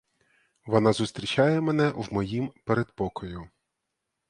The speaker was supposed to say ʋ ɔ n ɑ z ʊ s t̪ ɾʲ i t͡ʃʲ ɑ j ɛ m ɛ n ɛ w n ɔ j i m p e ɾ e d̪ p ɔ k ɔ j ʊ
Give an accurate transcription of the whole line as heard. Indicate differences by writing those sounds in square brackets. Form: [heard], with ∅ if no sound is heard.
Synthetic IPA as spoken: ʋ ɔ n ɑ z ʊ s t̪ ɾʲ i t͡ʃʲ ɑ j ɛ m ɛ n ɛ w [m] ɔ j i m p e ɾ e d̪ p ɔ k ɔ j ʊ